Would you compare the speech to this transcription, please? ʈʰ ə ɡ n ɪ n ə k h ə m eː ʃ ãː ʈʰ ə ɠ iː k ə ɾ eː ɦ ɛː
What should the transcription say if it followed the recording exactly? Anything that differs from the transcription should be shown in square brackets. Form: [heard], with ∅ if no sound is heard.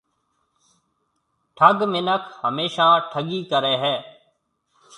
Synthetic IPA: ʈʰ ə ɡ [m] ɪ n ə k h ə m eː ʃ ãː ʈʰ ə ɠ iː k ə ɾ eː ɦ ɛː